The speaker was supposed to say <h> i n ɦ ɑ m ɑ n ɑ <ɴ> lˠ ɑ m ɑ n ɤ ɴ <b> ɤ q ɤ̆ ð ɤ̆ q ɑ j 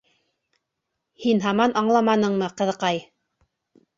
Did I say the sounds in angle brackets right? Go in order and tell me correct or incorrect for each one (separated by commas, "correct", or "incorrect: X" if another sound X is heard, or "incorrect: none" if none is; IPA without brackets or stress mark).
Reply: correct, correct, incorrect: m